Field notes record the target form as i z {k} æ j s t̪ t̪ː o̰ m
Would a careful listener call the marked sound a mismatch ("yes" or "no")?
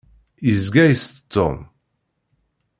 yes